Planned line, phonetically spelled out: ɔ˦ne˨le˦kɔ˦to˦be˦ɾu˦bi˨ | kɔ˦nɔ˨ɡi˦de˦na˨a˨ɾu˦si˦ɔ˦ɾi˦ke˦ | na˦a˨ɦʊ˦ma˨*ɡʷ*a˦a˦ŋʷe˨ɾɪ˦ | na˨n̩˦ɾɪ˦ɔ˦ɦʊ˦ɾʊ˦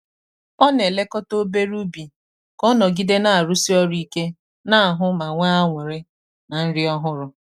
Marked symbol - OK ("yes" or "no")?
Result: no